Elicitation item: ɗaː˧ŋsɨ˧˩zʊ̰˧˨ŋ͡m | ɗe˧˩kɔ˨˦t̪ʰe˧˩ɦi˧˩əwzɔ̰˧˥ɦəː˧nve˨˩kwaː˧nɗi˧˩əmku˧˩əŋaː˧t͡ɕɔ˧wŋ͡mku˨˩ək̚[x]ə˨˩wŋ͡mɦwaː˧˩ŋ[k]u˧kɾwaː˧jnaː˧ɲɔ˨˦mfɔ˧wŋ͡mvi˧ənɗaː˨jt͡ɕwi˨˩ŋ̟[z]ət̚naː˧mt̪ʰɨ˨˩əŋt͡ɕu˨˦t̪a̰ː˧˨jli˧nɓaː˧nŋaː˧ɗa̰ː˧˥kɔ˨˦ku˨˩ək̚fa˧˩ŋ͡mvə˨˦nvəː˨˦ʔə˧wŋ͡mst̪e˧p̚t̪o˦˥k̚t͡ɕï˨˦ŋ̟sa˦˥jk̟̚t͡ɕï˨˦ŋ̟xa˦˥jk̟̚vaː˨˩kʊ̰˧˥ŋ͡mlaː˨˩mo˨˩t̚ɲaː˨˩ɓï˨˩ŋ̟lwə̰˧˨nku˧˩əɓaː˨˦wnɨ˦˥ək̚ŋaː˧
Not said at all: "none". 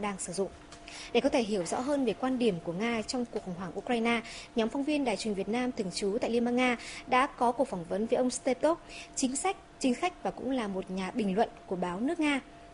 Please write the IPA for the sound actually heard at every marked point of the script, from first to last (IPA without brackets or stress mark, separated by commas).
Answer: x, ʔ, v